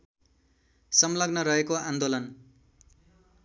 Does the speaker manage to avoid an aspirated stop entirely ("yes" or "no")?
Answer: yes